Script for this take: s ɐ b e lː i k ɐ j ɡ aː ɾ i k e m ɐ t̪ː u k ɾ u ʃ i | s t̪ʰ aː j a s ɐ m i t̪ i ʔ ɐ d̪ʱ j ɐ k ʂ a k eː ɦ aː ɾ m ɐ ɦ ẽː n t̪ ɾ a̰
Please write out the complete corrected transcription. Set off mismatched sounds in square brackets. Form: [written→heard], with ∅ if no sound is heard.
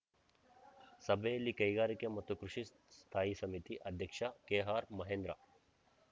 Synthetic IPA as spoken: s ɐ b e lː i k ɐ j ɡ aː ɾ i k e m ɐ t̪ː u k ɾ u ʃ i | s t̪ʰ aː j [a→i] s ɐ m i t̪ i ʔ ɐ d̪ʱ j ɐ k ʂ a k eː ɦ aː ɾ m ɐ ɦ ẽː n [t̪→d̪] ɾ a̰